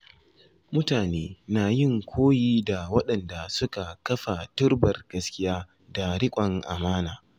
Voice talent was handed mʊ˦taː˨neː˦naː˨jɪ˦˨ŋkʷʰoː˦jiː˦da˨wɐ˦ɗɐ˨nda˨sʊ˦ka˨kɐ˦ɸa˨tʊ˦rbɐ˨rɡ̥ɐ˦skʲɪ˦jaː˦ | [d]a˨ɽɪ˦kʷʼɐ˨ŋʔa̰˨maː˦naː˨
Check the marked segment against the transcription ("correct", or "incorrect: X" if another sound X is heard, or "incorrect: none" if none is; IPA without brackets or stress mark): correct